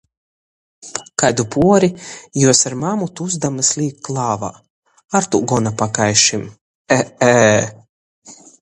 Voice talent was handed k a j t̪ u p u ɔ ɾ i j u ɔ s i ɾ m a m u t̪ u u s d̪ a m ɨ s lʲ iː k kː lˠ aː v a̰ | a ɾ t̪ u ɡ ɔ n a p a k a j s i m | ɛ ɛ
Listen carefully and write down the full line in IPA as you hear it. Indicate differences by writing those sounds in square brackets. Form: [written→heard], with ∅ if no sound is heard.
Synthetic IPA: k a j [t̪→d̪] u p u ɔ ɾ i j u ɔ s [i→a] ɾ m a m u t̪ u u [s→z] d̪ a m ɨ s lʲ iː k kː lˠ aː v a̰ | a ɾ t̪ u ɡ ɔ n a p a k a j [s→ʃ] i m | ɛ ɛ